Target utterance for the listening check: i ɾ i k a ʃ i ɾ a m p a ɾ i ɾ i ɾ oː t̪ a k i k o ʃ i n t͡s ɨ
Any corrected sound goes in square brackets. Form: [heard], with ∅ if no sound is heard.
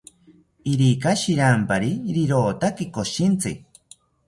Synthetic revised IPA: i ɾ i k a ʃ i ɾ a m p a ɾ i ɾ i ɾ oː t̪ a k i k o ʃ i n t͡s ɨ